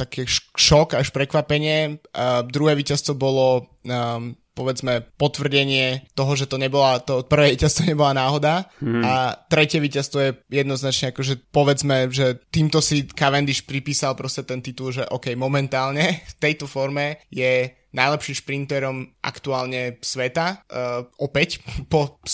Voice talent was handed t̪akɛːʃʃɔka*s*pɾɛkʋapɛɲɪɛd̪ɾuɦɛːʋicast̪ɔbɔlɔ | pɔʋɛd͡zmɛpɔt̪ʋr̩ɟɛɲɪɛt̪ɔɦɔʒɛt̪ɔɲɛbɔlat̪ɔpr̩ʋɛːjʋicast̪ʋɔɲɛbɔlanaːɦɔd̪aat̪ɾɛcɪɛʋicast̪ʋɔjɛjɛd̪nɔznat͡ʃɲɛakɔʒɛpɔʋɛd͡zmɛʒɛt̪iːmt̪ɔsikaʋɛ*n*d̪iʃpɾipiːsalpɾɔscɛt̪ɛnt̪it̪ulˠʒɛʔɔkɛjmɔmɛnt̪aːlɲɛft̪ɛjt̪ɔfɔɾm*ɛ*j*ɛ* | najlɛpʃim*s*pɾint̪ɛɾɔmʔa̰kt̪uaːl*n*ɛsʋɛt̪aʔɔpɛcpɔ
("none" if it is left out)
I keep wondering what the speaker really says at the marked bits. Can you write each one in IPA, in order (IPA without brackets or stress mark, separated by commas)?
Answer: ʃ, n, ɛ, ɛ, ʃ, ɲ